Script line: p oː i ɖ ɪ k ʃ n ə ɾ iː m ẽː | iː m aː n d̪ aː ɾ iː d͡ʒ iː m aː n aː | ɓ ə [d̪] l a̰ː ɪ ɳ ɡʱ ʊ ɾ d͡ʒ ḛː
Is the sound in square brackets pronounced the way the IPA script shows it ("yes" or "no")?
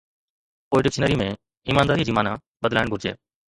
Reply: yes